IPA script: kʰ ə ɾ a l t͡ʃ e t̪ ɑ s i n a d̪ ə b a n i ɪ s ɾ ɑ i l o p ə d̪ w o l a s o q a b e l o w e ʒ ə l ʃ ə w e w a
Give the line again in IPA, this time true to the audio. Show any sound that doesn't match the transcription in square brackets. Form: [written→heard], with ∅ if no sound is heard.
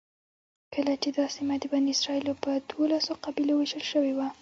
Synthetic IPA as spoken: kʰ ə [ɾ→l] a [l→∅] t͡ʃ e [t̪→d̪] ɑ s i [n→m] a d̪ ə b a n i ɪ s ɾ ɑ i l o p ə d̪ w o l a s o q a b [e→i] l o w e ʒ ə l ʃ ə w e w a